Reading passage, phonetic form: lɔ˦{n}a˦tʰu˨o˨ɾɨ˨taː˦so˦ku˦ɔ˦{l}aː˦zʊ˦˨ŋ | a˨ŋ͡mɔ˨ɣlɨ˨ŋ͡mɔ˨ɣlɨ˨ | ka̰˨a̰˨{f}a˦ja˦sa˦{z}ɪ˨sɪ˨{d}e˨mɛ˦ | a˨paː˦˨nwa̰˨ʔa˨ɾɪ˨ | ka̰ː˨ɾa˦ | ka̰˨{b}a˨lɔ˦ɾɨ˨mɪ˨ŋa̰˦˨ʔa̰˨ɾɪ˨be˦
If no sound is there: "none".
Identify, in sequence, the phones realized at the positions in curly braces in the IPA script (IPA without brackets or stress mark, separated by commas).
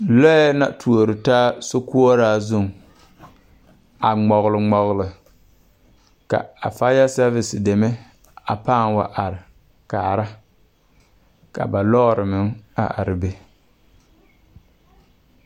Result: n, ɾ, f, v, d, b